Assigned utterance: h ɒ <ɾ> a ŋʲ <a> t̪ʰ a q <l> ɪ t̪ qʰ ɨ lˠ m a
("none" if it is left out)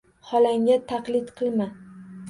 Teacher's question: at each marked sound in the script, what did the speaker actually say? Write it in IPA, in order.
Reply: l, a, l

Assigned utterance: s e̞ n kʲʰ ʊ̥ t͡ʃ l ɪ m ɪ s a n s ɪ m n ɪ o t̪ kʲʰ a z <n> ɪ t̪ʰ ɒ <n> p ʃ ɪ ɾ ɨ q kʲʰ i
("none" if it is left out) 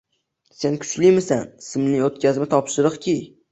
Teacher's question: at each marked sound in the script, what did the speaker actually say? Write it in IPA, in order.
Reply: m, none

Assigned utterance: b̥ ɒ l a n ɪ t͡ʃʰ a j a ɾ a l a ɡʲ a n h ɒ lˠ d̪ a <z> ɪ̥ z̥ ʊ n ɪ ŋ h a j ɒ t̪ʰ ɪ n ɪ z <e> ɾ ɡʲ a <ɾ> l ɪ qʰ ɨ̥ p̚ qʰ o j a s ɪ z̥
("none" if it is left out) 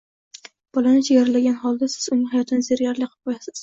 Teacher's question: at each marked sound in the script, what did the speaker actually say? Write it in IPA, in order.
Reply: s, e, ɾ

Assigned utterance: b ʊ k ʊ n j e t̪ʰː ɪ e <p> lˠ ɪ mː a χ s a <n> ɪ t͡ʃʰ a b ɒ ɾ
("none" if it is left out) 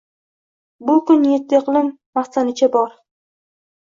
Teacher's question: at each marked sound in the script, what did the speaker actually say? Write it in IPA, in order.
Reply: q, n

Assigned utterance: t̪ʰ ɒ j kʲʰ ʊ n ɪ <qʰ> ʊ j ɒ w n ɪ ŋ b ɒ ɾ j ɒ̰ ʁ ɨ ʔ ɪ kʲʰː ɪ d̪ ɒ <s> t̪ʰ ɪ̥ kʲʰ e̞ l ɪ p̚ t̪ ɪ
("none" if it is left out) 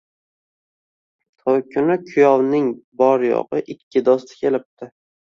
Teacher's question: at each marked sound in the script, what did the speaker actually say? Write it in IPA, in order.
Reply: kʰ, s

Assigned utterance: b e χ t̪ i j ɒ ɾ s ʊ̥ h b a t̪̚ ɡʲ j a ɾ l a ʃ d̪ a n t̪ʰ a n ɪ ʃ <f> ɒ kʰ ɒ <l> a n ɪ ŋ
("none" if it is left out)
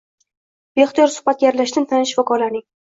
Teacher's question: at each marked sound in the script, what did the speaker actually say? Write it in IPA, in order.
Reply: v, l

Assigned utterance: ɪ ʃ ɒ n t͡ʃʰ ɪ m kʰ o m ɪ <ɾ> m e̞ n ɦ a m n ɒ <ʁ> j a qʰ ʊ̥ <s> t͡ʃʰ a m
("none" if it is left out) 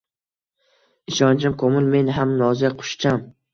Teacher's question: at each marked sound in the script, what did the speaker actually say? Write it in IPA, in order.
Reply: l, z, ʃ

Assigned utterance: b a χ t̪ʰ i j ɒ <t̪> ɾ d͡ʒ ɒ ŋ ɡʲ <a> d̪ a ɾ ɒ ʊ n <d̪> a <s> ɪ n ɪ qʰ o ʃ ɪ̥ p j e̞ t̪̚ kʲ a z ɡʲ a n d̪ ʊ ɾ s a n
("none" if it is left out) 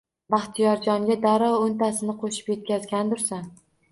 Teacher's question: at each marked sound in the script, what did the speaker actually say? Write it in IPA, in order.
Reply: none, a, t̪, s

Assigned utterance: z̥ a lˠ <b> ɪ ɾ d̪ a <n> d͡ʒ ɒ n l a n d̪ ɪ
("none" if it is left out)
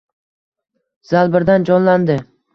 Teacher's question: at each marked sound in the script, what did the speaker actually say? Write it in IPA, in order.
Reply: b, n

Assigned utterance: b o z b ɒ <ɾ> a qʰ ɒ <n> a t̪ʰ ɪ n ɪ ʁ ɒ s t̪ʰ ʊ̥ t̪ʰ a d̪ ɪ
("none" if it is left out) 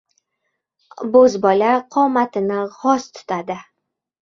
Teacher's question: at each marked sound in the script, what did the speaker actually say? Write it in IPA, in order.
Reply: l, m

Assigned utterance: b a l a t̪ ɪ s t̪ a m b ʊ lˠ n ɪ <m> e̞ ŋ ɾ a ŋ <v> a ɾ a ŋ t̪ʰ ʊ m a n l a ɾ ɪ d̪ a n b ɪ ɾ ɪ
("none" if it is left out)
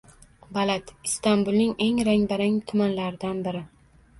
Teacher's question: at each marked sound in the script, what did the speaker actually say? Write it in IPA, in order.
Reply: ŋ, b

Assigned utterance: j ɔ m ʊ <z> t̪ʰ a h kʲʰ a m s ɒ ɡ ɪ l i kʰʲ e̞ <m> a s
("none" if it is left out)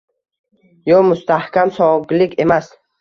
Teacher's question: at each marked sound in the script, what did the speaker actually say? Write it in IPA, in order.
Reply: s, m

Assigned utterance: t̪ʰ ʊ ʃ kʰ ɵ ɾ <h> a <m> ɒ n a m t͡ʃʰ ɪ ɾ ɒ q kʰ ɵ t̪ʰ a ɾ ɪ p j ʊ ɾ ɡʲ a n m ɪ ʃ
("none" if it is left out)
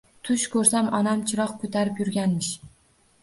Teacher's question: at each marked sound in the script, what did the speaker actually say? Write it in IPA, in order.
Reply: s, m

